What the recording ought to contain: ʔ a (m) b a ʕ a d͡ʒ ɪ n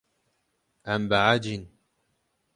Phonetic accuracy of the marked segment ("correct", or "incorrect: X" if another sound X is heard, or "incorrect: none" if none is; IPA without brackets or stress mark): correct